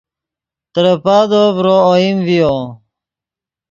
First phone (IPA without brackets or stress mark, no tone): t̪